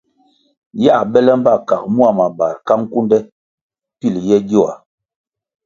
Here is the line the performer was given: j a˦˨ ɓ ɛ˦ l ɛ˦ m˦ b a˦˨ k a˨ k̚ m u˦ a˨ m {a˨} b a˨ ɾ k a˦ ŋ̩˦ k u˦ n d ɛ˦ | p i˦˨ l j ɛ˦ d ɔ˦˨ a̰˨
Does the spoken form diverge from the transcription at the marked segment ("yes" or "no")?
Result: no